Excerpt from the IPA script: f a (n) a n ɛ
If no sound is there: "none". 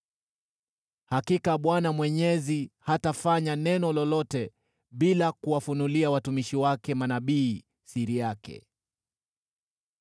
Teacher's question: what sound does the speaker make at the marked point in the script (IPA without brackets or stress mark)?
ɲ